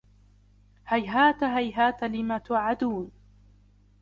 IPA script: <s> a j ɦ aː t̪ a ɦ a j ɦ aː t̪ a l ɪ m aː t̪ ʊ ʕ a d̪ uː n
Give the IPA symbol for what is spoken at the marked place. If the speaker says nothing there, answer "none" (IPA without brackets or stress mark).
h